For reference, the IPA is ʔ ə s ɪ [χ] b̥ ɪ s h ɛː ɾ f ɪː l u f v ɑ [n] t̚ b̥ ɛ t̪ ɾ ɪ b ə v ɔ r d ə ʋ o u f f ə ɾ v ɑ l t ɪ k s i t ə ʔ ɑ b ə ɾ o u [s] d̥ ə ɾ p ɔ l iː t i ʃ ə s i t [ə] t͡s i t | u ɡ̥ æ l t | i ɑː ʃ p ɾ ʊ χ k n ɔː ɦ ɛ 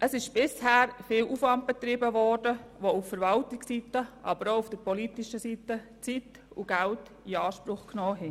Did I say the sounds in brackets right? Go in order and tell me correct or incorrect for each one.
incorrect: ʃ, correct, incorrect: f, correct

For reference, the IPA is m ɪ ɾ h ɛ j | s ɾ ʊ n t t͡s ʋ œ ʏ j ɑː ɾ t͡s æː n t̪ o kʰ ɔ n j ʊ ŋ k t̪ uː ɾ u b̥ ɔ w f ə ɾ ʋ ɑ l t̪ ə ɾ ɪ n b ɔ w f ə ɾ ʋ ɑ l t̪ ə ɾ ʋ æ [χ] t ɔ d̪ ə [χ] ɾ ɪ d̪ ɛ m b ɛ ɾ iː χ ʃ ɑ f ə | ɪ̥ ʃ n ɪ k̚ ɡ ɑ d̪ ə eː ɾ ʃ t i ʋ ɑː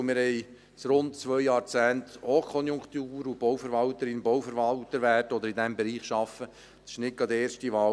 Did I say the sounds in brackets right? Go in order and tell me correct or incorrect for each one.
incorrect: none, incorrect: none

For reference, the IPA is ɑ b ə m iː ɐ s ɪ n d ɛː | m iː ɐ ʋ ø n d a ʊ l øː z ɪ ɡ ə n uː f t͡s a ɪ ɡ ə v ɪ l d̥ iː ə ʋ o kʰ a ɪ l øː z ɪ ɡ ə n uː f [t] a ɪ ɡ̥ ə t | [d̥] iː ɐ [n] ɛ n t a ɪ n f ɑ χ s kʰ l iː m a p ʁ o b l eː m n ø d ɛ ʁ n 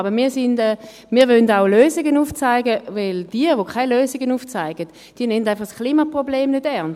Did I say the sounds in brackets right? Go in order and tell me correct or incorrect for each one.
incorrect: t͡s, correct, correct

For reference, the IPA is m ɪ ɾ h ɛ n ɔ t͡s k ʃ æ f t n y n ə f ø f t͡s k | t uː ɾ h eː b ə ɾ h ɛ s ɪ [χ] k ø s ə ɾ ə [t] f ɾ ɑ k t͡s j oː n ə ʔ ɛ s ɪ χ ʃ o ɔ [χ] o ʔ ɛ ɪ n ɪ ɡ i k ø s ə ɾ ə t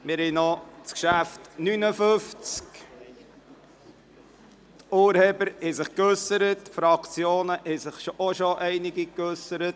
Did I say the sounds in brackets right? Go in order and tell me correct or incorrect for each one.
correct, correct, incorrect: ʃ

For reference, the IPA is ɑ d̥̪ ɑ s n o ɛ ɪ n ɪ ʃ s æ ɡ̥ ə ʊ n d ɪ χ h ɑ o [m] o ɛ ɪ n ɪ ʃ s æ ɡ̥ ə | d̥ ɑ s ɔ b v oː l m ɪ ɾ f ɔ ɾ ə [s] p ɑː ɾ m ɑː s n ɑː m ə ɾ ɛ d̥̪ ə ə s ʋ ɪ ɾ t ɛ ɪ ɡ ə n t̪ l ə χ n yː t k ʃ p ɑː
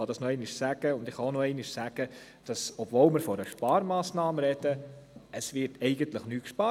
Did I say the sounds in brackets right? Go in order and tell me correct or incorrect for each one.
incorrect: n, incorrect: ʃ

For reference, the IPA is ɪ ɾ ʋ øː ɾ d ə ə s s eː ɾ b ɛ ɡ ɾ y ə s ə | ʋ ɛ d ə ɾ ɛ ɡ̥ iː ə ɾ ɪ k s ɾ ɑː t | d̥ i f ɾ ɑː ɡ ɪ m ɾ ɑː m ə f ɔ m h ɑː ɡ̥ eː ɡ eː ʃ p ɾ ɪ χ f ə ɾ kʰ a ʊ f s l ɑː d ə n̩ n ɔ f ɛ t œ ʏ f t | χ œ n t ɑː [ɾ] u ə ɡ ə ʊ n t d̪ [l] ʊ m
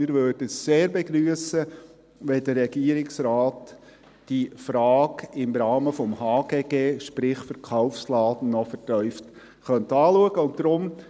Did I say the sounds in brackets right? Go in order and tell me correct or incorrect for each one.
incorrect: l, incorrect: ɾ

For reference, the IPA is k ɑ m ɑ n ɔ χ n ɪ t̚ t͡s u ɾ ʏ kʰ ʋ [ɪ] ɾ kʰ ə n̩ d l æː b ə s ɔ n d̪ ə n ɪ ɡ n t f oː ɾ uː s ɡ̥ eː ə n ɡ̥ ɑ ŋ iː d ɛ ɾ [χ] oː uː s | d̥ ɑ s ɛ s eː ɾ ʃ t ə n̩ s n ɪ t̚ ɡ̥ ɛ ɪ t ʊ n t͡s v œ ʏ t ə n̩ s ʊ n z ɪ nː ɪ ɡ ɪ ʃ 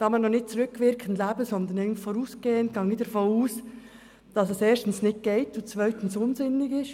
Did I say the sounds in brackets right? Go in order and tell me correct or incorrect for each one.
correct, incorrect: f

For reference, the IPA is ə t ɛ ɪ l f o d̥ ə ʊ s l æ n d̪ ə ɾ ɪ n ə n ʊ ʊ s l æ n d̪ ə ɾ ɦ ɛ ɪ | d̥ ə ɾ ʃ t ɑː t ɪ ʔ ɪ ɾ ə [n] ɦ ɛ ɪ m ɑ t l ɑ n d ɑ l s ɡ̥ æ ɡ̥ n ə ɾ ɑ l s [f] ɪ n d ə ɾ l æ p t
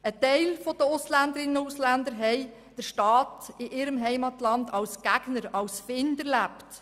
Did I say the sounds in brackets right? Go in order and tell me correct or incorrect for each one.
incorrect: m, correct

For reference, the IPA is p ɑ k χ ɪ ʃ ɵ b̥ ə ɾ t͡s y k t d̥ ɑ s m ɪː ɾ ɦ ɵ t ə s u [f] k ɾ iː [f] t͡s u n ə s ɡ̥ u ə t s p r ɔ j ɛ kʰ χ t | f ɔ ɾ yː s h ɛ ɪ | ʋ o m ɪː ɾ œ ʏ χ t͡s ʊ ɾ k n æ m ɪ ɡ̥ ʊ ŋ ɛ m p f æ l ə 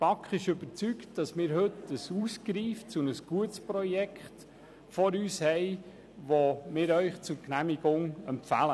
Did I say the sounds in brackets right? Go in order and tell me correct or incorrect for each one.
incorrect: s, correct

